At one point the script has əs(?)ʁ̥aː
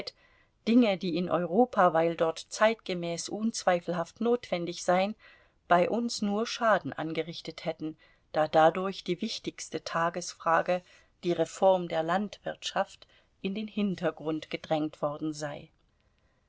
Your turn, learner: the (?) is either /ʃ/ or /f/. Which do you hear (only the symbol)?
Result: f